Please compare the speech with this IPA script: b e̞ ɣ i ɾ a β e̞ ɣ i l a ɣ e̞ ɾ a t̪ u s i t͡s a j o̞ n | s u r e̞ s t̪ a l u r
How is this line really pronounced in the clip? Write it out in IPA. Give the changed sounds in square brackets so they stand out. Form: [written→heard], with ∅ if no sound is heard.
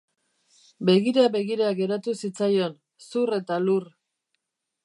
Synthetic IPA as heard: b e̞ ɣ i ɾ a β e̞ ɣ i [l→ɾ] a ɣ e̞ ɾ a t̪ u s i t͡s a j o̞ n | s u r e̞ [s→∅] t̪ a l u r